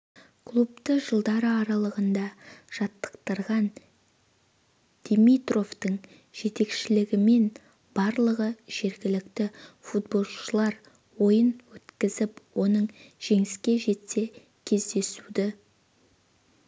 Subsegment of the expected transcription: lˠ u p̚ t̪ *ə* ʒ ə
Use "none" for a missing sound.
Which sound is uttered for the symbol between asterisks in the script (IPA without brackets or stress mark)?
ə